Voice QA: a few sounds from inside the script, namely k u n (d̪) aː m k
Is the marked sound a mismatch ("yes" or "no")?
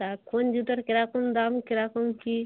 no